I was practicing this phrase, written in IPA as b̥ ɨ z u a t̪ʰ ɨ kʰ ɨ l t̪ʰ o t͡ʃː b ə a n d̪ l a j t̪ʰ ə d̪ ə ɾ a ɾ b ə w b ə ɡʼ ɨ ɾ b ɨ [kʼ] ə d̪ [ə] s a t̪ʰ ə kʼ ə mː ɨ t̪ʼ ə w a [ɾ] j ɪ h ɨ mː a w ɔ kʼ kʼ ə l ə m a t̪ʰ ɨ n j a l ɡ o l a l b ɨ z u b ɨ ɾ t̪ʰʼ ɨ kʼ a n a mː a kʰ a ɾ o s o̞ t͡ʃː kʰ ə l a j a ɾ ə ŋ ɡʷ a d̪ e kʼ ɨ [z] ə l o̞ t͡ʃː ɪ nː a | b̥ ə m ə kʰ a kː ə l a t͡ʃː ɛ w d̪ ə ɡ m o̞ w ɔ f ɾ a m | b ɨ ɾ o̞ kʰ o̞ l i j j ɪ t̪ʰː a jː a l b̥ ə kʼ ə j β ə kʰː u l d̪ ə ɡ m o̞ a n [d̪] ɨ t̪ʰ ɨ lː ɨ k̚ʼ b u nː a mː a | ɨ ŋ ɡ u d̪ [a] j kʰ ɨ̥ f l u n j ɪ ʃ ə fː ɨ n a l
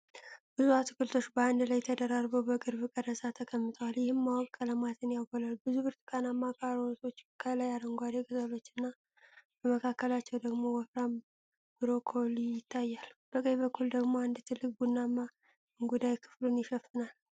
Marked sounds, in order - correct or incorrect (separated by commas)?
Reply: correct, correct, incorrect, correct, correct, correct